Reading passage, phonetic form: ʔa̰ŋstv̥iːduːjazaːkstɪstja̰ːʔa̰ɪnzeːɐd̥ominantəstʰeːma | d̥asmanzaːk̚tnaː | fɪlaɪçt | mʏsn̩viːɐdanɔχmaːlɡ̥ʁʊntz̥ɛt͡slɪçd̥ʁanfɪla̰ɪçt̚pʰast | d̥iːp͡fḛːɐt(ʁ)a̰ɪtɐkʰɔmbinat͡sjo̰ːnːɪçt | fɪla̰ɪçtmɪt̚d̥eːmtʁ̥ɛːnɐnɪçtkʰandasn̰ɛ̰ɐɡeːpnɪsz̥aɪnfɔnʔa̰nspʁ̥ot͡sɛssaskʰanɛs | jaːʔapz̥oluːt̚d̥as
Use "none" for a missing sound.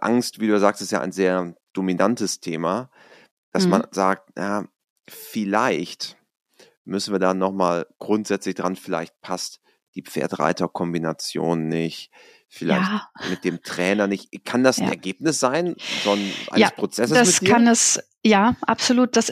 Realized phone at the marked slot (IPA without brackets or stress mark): ʁ